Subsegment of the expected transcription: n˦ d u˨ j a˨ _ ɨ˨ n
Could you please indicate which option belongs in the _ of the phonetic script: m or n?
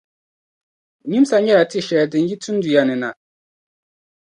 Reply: n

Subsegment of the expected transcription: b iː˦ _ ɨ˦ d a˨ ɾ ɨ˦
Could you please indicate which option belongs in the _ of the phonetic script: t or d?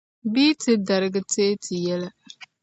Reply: t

